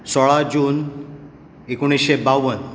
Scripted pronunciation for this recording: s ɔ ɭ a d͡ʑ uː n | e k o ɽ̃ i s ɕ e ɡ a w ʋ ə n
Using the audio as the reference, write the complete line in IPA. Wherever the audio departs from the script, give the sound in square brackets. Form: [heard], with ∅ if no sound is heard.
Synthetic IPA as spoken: s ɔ ɭ a d͡ʑ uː n | e k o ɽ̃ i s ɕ e [b] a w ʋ ə n